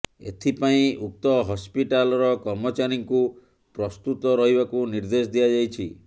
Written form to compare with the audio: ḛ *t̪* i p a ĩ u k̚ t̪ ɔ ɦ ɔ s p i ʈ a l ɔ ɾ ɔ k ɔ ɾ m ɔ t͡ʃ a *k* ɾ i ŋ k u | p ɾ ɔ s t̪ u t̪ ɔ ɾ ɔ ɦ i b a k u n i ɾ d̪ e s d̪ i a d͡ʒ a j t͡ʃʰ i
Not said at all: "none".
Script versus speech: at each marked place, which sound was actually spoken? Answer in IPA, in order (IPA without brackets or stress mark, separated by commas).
t̪ʰ, none